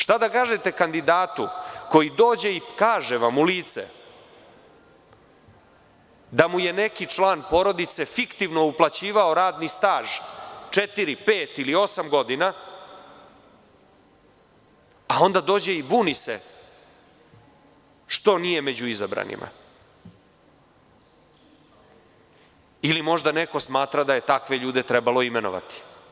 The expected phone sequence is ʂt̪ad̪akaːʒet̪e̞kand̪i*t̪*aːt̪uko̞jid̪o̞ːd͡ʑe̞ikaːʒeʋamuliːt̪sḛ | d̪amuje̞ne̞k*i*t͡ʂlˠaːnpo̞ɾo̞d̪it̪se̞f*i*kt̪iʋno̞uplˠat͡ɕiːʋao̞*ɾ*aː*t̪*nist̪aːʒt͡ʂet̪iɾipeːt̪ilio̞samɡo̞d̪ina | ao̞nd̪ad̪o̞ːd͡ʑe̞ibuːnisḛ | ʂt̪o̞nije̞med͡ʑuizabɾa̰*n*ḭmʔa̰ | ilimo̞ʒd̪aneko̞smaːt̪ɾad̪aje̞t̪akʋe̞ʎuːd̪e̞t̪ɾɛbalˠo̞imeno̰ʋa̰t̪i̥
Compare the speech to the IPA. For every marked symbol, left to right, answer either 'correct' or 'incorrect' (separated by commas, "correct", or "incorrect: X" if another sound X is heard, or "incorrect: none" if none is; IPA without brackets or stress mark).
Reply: incorrect: d̪, correct, correct, correct, incorrect: d̪, correct